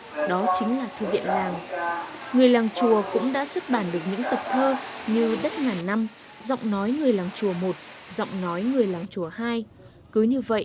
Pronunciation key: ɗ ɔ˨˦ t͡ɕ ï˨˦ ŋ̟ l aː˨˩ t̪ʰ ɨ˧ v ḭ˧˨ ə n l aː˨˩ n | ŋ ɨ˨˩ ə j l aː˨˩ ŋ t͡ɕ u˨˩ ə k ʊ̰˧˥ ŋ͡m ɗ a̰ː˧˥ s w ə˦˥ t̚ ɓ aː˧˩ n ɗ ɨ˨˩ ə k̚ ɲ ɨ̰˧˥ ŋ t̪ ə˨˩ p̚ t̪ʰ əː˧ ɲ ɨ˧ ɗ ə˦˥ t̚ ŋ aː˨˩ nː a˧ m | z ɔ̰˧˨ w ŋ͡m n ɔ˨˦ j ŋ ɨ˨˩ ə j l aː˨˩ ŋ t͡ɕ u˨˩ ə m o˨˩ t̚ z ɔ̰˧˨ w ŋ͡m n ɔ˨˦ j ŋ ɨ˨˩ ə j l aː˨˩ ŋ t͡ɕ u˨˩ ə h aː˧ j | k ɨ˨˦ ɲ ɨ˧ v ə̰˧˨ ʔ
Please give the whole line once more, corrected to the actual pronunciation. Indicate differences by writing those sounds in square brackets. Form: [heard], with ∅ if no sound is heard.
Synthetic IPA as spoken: ɗ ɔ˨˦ t͡ɕ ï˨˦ ŋ̟ l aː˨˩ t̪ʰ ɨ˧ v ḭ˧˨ ə n l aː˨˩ [ŋ] | ŋ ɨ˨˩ ə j l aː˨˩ ŋ t͡ɕ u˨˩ ə k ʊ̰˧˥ ŋ͡m ɗ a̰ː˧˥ s w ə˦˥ t̚ ɓ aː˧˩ n ɗ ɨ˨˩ ə k̚ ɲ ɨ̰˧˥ ŋ t̪ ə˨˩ p̚ t̪ʰ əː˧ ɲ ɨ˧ ɗ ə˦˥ t̚ ŋ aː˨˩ nː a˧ m | z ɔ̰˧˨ w ŋ͡m n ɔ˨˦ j ŋ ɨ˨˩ ə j l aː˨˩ ŋ t͡ɕ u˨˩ ə m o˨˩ t̚ z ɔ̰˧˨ w ŋ͡m n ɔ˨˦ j ŋ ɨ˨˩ ə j l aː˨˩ ŋ t͡ɕ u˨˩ ə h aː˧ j | k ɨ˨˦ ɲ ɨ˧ v ə̰˧˨ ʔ